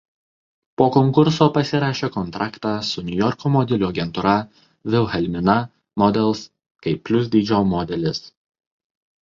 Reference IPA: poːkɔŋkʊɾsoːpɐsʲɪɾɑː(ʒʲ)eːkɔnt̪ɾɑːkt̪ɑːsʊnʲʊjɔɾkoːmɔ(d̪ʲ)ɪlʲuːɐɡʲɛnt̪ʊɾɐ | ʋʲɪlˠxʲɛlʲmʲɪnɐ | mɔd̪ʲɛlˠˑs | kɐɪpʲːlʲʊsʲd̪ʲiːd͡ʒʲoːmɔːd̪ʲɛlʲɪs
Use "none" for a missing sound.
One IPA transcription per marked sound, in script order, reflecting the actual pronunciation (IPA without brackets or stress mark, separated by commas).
ʃʲ, d̪ʲ